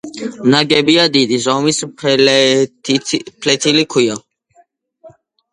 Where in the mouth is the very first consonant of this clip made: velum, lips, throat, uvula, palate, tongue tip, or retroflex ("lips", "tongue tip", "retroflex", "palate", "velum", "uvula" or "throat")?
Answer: tongue tip